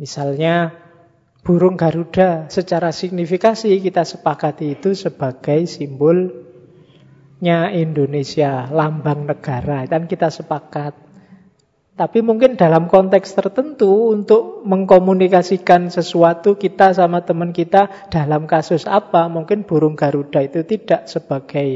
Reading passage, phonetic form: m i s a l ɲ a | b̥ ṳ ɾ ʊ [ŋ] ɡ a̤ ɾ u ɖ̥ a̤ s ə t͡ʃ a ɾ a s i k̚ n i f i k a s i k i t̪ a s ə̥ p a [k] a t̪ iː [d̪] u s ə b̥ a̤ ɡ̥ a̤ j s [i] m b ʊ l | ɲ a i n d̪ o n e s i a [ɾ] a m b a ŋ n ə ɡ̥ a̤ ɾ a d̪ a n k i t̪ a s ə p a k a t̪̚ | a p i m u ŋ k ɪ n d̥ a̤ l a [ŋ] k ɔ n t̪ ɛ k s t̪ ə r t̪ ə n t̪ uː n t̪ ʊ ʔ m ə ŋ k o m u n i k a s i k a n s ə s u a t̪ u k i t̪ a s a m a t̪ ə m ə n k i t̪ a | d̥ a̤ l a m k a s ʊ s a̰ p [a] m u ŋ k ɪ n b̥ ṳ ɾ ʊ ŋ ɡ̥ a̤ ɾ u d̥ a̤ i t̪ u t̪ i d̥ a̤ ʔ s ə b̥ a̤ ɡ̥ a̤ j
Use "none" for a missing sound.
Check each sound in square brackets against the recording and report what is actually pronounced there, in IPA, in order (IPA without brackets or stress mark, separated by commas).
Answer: ŋ, k, t̪, i, l, m, a